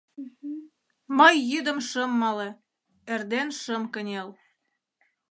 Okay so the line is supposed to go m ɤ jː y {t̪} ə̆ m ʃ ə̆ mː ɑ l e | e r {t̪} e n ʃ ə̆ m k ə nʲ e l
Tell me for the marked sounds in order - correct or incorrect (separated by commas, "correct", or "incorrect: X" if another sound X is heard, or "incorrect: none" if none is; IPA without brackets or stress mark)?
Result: incorrect: d̪, incorrect: d̪